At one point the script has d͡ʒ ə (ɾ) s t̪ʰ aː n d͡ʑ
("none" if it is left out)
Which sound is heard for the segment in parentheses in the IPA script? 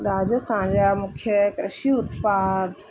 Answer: none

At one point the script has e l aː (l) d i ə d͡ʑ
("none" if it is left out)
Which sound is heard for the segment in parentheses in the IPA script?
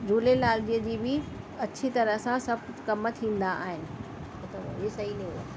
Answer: l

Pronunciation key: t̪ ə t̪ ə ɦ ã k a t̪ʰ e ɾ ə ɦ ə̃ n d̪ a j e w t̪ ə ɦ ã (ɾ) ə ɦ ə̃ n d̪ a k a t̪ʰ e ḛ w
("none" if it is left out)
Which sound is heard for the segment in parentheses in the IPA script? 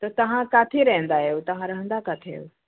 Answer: ɾ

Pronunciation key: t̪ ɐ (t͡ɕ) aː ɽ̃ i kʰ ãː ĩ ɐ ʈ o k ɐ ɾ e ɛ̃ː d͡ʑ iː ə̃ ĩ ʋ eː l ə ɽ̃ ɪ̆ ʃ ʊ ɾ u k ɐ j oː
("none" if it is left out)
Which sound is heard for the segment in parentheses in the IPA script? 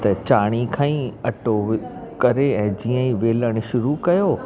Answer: t͡ɕ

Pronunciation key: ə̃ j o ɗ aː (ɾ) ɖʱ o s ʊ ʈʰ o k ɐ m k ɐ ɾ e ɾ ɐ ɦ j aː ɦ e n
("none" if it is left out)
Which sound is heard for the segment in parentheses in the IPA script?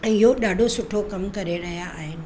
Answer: none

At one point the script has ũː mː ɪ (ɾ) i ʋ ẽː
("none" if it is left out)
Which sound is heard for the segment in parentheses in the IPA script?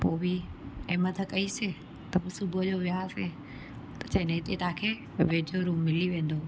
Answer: l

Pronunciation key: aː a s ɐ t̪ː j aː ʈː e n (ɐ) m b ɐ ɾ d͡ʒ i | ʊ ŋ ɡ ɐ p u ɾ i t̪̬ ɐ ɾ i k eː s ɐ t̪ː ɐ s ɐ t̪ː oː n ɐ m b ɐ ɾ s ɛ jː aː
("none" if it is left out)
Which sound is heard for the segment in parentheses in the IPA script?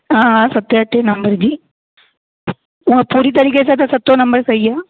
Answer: ɐ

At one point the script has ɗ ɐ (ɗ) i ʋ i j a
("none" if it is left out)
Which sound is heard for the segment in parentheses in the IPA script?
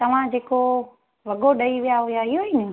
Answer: none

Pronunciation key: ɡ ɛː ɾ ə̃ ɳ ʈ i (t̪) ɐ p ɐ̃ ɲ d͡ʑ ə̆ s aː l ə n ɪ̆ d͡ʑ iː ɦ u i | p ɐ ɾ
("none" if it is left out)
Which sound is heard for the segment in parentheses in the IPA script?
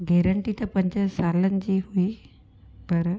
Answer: t̪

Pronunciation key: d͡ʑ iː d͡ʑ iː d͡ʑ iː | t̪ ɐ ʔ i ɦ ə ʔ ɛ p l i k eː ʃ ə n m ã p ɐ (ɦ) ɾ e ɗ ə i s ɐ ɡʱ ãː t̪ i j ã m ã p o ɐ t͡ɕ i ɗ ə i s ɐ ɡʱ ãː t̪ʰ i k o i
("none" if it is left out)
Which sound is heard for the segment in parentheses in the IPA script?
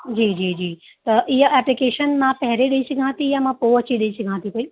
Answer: ɦ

